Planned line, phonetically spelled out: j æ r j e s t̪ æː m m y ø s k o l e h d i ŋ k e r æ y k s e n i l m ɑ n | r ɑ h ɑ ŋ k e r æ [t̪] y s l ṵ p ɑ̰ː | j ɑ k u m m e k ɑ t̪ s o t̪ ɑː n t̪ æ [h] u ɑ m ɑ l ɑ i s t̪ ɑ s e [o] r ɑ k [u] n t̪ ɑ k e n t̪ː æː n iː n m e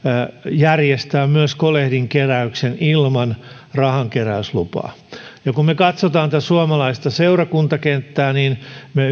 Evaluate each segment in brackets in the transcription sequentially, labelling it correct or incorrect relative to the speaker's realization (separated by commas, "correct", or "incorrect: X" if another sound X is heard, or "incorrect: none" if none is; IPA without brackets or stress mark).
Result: incorrect: none, incorrect: s, incorrect: u, correct